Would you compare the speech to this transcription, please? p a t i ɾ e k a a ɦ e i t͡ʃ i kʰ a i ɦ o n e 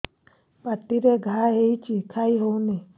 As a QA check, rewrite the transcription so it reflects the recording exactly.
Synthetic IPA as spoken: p a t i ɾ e ɡ a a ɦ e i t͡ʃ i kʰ a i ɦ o n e